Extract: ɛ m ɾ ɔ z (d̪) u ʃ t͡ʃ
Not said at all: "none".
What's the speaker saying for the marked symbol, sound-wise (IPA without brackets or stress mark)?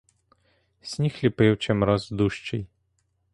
d̪